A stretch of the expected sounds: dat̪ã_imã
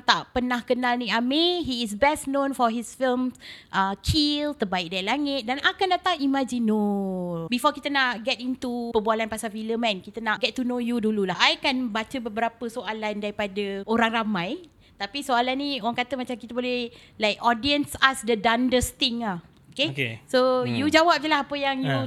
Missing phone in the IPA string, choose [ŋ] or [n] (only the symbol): ŋ